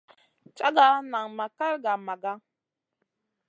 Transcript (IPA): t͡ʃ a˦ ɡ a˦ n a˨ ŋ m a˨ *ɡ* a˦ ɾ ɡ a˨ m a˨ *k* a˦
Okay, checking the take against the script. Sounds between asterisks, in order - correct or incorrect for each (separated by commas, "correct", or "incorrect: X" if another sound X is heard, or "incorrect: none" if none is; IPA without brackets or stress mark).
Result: incorrect: k, incorrect: ɡ